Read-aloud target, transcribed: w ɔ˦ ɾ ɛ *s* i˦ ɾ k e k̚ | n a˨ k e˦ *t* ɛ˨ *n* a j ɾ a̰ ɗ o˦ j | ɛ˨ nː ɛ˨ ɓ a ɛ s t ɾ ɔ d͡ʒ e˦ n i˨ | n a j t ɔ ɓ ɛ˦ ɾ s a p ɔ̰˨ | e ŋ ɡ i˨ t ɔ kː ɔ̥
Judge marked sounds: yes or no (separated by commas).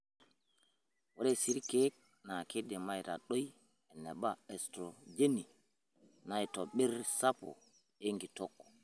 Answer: yes, no, no